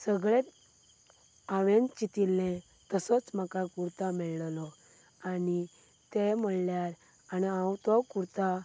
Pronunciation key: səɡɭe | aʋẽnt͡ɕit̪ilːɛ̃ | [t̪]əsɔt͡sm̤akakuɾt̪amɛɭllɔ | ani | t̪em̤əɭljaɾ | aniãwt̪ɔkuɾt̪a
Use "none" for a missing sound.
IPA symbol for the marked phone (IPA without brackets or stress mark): t̪